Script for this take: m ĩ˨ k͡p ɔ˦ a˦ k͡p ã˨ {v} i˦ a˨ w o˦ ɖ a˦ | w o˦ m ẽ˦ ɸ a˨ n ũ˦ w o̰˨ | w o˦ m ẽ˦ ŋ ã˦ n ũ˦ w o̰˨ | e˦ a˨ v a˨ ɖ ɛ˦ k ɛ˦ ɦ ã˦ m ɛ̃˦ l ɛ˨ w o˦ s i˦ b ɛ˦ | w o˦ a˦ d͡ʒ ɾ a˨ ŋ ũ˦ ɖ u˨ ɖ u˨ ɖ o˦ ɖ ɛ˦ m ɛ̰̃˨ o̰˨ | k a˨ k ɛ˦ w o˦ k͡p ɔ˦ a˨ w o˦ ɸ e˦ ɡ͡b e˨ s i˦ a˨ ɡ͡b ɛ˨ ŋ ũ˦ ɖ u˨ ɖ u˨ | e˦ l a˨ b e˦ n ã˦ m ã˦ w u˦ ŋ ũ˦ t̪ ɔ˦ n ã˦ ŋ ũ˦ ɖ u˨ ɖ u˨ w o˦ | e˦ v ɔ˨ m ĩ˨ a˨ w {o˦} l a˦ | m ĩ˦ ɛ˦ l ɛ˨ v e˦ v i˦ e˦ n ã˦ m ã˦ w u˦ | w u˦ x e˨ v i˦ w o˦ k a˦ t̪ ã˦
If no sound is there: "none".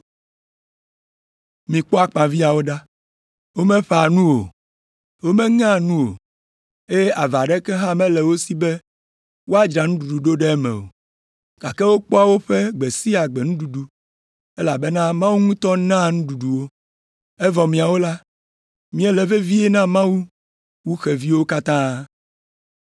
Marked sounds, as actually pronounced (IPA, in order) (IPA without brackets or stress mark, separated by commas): v, o˦